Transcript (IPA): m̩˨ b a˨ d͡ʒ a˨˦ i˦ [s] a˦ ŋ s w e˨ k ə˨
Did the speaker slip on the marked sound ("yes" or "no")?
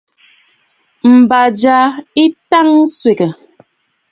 yes